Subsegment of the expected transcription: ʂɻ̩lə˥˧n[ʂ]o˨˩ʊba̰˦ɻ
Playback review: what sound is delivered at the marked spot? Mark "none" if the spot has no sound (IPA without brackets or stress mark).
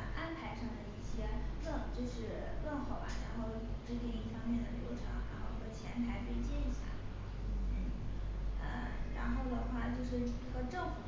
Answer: x